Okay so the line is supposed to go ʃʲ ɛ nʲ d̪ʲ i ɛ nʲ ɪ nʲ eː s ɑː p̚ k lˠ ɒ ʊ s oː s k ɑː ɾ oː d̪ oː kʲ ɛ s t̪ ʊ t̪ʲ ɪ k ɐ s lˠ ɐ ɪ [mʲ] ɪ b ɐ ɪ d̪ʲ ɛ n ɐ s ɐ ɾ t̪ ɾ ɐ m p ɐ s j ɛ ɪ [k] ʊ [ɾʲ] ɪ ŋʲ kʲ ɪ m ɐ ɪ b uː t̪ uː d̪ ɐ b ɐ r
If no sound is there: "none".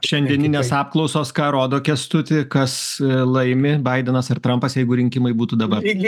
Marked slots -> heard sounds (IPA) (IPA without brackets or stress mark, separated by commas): mʲ, ɡ, ɾʲ